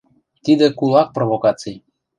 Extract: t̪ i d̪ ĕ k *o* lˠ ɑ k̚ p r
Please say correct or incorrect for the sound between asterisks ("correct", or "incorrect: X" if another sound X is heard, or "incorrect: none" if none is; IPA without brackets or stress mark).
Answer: incorrect: u